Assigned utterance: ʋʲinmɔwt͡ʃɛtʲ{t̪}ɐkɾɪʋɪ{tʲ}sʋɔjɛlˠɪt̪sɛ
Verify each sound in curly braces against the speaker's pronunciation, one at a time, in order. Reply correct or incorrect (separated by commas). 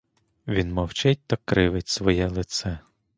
correct, correct